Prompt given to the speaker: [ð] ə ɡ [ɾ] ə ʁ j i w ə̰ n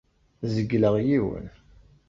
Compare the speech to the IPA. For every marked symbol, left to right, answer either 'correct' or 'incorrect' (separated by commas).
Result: incorrect, incorrect